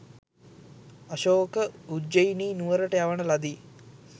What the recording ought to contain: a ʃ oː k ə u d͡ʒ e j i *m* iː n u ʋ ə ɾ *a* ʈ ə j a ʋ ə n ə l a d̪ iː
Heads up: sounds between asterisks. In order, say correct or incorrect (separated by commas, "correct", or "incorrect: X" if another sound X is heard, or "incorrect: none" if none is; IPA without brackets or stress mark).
incorrect: n, incorrect: ə